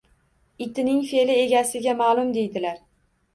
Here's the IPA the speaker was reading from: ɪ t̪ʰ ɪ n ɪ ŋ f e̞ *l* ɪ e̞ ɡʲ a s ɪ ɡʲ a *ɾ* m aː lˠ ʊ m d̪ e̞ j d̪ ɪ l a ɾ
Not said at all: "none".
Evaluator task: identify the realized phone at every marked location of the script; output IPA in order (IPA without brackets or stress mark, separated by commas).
l, none